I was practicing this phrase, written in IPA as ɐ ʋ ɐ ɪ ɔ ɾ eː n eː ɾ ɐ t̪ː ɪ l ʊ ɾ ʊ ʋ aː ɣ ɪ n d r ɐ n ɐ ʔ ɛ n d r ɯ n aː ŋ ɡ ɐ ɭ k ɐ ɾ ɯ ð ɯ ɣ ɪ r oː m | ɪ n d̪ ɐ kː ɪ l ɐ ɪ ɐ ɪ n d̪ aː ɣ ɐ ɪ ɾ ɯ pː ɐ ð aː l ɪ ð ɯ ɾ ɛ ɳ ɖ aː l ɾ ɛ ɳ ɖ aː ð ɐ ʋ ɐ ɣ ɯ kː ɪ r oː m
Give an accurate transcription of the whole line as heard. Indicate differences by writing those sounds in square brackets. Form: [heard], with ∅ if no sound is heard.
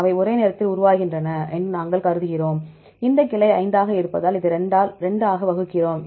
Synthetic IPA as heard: ɐ ʋ ɐ ɪ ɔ ɾ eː n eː ɾ ɐ t̪ː ɪ l ʊ ɾ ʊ ʋ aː ɣ ɪ n d r ɐ n ɐ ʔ ɛ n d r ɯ n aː ŋ ɡ ɐ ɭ k ɐ ɾ ɯ ð ɯ ɣ ɪ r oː m | ɪ n d̪ ɐ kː ɪ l ɐ ɪ ɐ ɪ n d̪ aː ɣ ɐ ɪ ɾ ɯ pː ɐ ð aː l ɪ ð ɯ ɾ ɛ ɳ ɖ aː l ɾ ɛ ɳ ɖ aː [ɣ] ɐ ʋ ɐ ɣ ɯ kː ɪ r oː m